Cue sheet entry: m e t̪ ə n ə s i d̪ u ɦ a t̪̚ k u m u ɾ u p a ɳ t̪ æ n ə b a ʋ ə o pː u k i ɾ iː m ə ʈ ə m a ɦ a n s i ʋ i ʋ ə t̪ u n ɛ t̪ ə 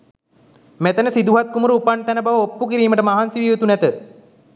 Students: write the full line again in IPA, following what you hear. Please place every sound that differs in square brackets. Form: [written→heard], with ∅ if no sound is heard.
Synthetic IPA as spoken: m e t̪ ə n ə s i d̪ u ɦ a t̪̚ k u m u ɾ u p a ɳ t̪ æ n ə b a ʋ ə o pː u k i ɾ iː m ə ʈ ə m a ɦ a n s i ʋ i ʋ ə t̪ u n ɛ t̪ ə